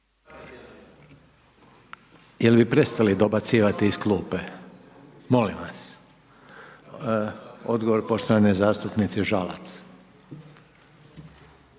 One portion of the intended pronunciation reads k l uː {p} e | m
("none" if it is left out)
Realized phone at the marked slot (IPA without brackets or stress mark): p